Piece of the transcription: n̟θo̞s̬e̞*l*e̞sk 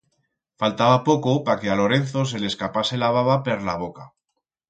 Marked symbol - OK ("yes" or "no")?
yes